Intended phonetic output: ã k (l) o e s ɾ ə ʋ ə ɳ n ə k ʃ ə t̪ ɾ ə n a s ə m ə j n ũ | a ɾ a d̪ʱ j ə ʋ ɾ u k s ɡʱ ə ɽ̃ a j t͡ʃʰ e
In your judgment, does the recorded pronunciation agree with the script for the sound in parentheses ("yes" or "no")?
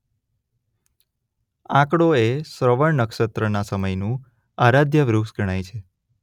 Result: no